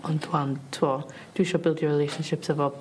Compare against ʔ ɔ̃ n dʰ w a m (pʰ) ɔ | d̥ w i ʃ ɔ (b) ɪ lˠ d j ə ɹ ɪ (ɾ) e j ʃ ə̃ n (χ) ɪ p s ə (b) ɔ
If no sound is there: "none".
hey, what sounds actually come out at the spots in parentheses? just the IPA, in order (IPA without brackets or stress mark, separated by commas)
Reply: tʰ, b, l, ʃ, v